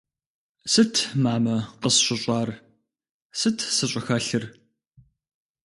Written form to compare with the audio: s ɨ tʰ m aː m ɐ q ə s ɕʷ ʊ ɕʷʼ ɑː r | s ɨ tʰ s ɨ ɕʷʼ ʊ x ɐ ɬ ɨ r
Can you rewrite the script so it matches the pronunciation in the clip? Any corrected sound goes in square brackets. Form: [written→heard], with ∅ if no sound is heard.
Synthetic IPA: s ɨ tʰ m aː m ɐ q ə s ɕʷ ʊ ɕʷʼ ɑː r | s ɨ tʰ s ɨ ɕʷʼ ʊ x ɐ ɬ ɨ r